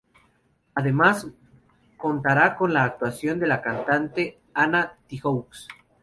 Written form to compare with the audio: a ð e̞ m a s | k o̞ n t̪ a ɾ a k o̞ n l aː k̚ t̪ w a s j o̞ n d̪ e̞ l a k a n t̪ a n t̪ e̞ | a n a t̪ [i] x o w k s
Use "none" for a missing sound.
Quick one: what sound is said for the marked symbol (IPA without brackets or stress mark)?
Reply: i